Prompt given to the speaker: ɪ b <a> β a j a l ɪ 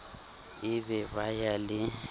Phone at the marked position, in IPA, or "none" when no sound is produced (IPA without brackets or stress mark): ɛ